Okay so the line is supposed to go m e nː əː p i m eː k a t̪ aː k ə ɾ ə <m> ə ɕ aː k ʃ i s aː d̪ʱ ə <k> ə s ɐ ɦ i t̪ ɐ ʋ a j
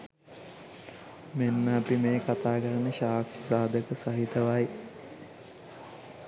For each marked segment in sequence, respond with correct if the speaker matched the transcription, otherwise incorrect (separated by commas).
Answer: incorrect, correct